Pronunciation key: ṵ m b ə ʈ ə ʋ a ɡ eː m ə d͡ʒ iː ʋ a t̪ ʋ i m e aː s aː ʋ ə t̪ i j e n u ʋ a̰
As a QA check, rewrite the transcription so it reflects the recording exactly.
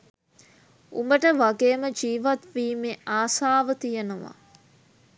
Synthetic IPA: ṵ m b ə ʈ ə ʋ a ɡ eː m ə d͡ʒ iː ʋ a t̪ ʋ iː m e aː s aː ʋ ə t̪ i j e n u ʋ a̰